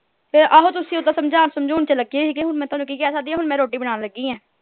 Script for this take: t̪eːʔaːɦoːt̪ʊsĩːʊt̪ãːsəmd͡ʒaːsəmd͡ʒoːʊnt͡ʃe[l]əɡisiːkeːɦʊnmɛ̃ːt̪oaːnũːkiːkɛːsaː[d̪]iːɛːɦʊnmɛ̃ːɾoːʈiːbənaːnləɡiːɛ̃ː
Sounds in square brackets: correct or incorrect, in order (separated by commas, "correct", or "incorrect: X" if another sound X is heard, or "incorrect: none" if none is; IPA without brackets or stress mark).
correct, correct